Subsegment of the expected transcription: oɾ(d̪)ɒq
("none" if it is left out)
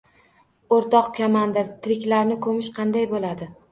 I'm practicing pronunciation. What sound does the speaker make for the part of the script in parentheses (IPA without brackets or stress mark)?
t̪